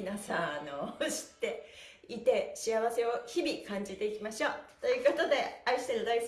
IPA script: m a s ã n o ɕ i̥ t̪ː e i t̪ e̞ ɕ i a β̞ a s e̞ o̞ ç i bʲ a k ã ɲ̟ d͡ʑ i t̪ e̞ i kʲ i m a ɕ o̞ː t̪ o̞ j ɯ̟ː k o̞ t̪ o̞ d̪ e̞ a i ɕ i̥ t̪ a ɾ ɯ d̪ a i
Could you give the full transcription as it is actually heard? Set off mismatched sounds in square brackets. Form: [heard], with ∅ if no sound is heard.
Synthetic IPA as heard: [n] a s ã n o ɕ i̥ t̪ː e i t̪ e̞ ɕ i a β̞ a s e̞ o̞ ç i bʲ [i] k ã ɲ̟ d͡ʑ i t̪ e̞ i kʲ i m a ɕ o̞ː t̪ o̞ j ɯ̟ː k o̞ t̪ o̞ d̪ e̞ a i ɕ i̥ t̪ [e] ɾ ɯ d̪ a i